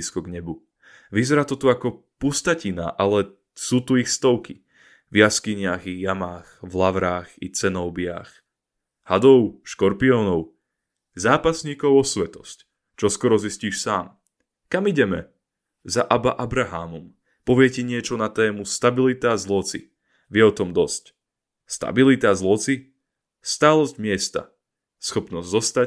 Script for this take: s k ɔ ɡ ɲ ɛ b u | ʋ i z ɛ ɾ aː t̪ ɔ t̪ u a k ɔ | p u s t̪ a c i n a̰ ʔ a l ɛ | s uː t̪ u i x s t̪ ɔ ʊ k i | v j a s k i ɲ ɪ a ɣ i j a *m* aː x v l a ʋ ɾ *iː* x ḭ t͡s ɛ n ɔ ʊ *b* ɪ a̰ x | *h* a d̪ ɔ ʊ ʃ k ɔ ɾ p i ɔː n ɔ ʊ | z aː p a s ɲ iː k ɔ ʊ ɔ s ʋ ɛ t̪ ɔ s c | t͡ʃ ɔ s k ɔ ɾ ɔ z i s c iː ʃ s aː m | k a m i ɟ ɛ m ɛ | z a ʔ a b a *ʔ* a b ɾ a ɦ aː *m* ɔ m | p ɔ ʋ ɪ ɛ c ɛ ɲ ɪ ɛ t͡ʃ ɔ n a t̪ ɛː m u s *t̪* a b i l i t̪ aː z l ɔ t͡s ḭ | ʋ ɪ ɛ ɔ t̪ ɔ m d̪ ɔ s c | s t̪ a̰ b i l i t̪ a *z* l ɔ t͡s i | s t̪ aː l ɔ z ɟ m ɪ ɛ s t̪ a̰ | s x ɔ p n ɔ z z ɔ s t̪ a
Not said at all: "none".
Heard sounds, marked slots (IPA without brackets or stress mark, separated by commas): m, aː, b, h, ʔ, m, t̪, z